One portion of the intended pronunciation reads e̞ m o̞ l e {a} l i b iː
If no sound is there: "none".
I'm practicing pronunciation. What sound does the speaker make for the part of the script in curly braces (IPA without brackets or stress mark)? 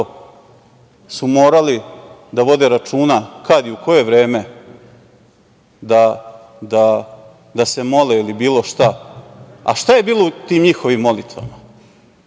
i